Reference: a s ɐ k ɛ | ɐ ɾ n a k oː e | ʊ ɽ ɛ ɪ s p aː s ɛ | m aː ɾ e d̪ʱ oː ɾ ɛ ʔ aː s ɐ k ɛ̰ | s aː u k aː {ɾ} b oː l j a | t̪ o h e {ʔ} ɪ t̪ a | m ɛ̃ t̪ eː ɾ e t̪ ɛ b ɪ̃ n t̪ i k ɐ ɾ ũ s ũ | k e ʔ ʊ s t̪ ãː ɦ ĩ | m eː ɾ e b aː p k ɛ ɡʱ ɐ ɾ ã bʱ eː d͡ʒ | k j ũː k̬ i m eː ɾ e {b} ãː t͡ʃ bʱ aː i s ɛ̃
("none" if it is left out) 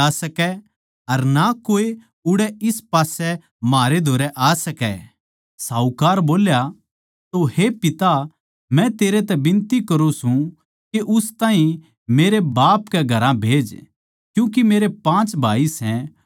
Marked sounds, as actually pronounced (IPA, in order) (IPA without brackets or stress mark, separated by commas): ɾ, p, p